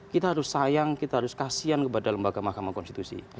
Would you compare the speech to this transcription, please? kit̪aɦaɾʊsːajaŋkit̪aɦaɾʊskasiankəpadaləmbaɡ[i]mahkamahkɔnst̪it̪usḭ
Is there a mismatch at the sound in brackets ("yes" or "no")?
yes